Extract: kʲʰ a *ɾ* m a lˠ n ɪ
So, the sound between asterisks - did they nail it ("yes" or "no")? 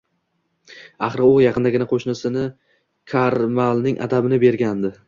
yes